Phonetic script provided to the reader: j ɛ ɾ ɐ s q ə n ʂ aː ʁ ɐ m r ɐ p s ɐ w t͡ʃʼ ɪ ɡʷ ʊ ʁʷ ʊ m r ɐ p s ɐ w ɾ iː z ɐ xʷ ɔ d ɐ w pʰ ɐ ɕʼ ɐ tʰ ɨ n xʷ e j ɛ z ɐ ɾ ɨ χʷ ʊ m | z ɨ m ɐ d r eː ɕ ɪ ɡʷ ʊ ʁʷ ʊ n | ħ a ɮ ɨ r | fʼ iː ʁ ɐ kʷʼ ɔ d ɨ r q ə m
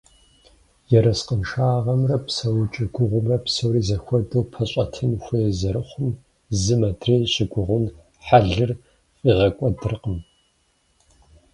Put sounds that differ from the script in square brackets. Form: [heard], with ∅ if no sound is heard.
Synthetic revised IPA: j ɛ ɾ ɐ s q ə n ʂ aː ʁ ɐ m r ɐ p s ɐ w t͡ʃʼ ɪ ɡʷ ʊ ʁʷ ʊ m r ɐ p s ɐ w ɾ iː z ɐ xʷ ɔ d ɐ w pʰ ɐ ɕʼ ɐ tʰ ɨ n xʷ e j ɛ z ɐ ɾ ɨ χʷ ʊ m | z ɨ m ɐ d r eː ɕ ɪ ɡʷ ʊ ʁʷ ʊ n | ħ a ɮ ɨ r | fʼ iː ʁ ɐ kʷʼ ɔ d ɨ r q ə m